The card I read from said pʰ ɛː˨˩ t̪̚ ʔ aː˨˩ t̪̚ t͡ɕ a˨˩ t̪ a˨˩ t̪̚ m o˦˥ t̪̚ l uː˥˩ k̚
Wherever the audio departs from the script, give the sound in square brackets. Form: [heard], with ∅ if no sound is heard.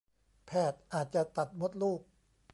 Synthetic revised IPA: pʰ ɛː˨˩ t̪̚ ʔ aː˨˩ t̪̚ t͡ɕ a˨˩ t̪ a˨˩ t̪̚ m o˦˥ t̪̚ l uː˥˩ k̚

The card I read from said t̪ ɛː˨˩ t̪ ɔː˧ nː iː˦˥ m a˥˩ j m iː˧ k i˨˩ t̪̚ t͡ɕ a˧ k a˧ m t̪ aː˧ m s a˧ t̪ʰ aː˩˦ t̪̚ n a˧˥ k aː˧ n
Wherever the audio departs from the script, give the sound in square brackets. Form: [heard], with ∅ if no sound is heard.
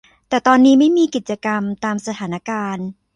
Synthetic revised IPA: t̪ ɛː˨˩ t̪ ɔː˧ nː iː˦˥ m a˥˩ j m iː˧ k i˨˩ t̪̚ t͡ɕ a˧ k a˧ m t̪ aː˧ m s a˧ t̪ʰ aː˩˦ [∅] n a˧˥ k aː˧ n

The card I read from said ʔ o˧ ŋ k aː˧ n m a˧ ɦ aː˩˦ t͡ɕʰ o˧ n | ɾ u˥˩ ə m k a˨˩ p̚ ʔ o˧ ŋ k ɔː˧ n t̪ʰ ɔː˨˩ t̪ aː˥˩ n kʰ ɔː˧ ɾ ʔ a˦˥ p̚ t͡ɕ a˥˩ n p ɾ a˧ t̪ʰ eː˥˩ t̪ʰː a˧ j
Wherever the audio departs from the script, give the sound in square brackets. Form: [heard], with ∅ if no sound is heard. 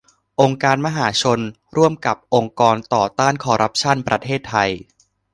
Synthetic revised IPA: ʔ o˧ ŋ k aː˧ n m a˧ ɦ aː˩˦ t͡ɕʰ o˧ n | ɾ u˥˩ ə m k a˨˩ p̚ ʔ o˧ ŋ k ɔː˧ n [t̪] ɔː˨˩ t̪ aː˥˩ n kʰ ɔː˧ ɾ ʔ a˦˥ p̚ [t͡ɕʰ] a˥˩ n p ɾ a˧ t̪ʰ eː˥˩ t̪ʰː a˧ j

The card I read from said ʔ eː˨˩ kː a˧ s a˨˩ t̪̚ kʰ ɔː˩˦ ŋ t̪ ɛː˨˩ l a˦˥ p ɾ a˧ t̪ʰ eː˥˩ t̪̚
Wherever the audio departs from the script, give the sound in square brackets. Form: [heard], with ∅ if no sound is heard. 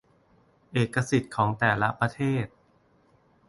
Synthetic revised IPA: ʔ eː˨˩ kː a˧ s [i˨˩] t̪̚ kʰ ɔː˩˦ ŋ t̪ ɛː˨˩ l a˦˥ p ɾ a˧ t̪ʰ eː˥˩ t̪̚

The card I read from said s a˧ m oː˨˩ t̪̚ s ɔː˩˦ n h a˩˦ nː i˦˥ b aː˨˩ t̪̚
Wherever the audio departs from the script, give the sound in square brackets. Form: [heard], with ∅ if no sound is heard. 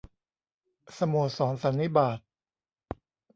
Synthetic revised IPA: s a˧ m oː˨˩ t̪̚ s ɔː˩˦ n [s] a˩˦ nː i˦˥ b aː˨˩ t̪̚

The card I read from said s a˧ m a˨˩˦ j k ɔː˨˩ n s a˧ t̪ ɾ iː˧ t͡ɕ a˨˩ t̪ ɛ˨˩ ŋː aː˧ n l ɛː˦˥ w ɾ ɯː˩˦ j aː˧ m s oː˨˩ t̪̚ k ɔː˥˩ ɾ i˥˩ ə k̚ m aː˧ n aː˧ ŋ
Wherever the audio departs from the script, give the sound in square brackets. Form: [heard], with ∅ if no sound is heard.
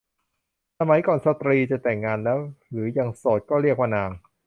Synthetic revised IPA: s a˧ m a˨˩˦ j k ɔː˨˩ n s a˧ t̪ ɾ iː˧ t͡ɕ a˨˩ t̪ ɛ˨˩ ŋː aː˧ n l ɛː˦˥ w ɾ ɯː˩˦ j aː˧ [ŋ] s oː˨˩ t̪̚ k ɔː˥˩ ɾ i˥˩ ə k̚ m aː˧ n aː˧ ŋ

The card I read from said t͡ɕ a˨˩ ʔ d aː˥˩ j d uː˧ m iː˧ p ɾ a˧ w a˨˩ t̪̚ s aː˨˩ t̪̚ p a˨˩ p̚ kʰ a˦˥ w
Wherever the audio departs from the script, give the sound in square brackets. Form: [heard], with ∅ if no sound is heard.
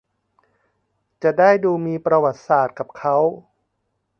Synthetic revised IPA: t͡ɕ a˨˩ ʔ d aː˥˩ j d uː˧ m iː˧ p ɾ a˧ w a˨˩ t̪̚ s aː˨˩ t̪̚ [k] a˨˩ p̚ kʰ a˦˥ w

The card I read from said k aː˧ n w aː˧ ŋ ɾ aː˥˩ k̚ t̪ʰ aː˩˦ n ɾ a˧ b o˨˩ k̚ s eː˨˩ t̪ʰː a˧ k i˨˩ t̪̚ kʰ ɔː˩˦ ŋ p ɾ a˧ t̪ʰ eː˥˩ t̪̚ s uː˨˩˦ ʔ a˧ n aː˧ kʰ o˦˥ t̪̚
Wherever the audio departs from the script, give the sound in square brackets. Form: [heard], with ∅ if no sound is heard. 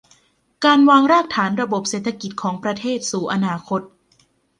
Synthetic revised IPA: k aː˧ n w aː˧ ŋ ɾ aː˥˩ k̚ t̪ʰ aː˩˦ n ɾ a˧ b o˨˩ [p̚] s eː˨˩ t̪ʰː a˧ k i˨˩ t̪̚ kʰ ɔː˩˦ ŋ p ɾ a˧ t̪ʰ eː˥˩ t̪̚ s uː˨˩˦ ʔ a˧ n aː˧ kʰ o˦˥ t̪̚

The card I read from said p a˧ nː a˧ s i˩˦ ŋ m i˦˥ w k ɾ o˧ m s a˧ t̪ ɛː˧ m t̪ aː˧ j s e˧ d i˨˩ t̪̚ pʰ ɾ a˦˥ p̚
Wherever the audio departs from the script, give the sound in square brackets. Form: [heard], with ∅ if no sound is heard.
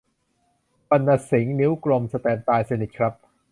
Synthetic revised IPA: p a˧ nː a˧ s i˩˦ ŋ [n] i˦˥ w k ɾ o˧ m s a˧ t̪ ɛː˧ m t̪ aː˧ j s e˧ [n] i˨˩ t̪̚ [kʰ] ɾ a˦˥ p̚

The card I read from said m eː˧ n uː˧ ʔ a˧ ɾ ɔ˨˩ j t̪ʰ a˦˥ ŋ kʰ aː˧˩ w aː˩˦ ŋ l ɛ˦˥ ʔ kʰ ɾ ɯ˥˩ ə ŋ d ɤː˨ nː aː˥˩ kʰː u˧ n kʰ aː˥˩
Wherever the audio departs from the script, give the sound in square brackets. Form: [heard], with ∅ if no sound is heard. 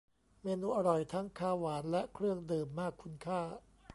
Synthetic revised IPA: m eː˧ n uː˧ ʔ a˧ ɾ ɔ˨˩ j t̪ʰ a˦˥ ŋ kʰ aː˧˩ w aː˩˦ [n] l ɛ˦˥ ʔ kʰ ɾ ɯ˥˩ ə ŋ d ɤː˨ [mː] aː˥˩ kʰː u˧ n kʰ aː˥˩

